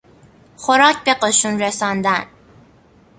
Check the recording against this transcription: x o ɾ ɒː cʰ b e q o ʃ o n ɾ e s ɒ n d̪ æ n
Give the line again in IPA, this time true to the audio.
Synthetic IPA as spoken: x o ɾ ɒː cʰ b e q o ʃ u n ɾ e s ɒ n d̪ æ n